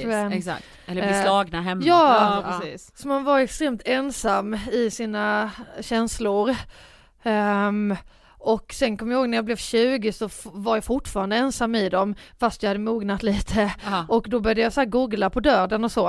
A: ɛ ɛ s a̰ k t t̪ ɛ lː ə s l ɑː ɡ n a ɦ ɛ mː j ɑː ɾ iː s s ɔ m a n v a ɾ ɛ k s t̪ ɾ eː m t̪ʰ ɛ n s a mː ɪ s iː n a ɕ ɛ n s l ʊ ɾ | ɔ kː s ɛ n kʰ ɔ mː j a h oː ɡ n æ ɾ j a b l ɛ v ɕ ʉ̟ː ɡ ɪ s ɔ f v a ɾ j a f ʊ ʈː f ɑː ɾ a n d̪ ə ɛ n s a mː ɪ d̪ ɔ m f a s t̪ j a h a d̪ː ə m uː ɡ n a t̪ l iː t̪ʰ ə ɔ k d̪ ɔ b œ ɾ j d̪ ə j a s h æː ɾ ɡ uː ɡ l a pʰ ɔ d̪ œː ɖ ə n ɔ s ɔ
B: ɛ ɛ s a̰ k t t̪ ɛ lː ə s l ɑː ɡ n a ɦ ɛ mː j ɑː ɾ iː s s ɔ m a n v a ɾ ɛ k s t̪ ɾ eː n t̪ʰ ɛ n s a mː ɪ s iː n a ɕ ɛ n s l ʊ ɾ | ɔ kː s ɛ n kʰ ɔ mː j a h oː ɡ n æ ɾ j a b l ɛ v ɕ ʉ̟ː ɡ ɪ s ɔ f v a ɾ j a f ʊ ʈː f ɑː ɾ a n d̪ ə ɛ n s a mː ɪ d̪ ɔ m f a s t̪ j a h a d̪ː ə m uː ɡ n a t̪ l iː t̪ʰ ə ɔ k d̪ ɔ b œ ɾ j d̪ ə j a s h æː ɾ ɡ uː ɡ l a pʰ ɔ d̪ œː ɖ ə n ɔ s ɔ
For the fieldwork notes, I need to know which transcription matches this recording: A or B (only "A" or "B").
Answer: A